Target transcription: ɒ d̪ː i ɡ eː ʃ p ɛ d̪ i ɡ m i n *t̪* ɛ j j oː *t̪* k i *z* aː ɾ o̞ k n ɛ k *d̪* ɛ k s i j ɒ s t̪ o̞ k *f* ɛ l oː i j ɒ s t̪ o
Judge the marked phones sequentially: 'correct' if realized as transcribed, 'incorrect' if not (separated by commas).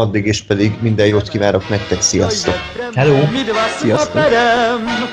incorrect, correct, incorrect, incorrect, incorrect